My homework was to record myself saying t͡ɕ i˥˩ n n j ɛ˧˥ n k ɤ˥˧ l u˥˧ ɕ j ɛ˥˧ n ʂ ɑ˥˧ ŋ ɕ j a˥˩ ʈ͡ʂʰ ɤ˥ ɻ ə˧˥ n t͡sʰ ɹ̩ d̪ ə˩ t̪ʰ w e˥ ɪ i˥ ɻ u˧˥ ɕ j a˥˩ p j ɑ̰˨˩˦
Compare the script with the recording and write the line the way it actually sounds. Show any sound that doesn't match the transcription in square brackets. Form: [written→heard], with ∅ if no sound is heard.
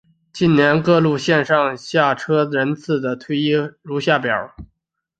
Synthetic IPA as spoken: t͡ɕ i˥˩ n n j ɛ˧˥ n k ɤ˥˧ l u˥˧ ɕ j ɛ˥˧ n ʂ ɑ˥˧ ŋ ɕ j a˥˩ ʈ͡ʂʰ ɤ˥ ɻ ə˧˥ n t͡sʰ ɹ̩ d̪ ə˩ t̪ʰ w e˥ ɪ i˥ ɻ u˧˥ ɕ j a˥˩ p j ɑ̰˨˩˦